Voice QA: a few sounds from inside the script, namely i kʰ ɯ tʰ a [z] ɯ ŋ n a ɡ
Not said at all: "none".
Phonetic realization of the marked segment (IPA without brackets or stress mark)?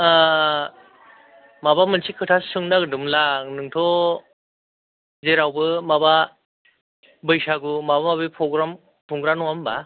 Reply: s